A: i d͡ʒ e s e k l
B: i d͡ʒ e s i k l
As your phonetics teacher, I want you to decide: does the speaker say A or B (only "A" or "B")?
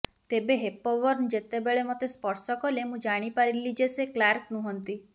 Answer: A